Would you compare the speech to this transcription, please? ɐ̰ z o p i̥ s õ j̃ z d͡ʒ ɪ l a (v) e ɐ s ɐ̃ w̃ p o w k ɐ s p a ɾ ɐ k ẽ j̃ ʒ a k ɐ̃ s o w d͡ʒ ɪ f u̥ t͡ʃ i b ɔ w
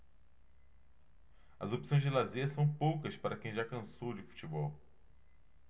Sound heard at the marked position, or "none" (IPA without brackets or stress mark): z